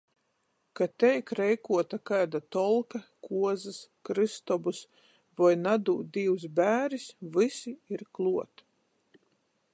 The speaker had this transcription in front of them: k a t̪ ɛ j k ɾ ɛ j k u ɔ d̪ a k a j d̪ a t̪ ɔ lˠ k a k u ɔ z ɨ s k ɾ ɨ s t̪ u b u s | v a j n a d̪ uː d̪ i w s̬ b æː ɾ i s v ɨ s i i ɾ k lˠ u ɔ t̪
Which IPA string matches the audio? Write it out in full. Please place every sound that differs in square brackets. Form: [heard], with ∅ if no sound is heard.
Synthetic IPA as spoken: k a t̪ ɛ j k ɾ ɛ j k u ɔ [t̪] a k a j d̪ a t̪ ɔ lˠ k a k u ɔ z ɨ s k ɾ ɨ s t̪ [ɔ] b u s | v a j n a d̪ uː d̪ i w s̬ b æː ɾ i s v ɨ s i i ɾ k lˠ u ɔ t̪